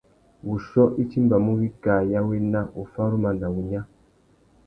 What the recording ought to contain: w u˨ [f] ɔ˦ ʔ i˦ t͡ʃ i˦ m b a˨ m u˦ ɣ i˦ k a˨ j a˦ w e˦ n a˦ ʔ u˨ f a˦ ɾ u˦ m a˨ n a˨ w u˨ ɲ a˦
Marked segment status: incorrect: ʃ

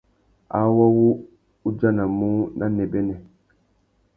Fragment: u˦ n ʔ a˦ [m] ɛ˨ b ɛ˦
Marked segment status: incorrect: n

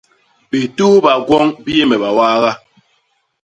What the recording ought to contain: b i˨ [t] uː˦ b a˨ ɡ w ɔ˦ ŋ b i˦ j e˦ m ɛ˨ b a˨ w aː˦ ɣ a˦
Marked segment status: correct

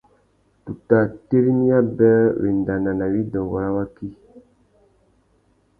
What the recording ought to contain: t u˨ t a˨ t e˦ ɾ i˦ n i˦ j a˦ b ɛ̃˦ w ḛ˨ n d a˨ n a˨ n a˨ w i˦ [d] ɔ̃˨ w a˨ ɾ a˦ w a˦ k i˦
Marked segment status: correct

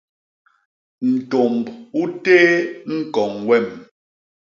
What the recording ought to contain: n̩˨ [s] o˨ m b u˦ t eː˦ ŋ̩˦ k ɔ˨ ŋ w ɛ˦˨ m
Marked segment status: incorrect: t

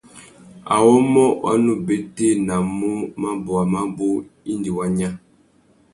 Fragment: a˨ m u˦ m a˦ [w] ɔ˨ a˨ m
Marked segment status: incorrect: b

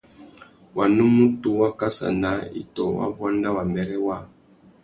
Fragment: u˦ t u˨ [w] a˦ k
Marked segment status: correct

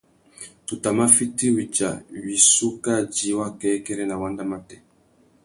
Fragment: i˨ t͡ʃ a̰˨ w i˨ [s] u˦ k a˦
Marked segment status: correct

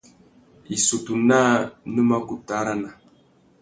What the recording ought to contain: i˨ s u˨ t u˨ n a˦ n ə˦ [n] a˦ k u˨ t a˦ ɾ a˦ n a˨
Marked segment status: incorrect: m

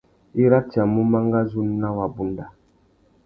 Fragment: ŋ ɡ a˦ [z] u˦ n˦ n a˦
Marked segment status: correct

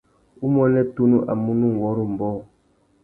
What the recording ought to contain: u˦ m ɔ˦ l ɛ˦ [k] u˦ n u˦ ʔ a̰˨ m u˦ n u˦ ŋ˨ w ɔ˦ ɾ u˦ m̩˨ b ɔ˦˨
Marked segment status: incorrect: t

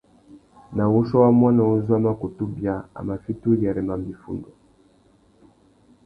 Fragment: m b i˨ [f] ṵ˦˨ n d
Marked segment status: correct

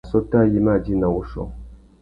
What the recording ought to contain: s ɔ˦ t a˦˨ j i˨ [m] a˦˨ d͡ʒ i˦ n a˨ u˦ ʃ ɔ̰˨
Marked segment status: correct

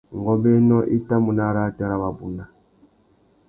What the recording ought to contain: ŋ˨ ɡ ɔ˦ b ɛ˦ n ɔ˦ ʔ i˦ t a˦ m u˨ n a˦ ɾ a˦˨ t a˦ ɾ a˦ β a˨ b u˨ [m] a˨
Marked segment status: incorrect: n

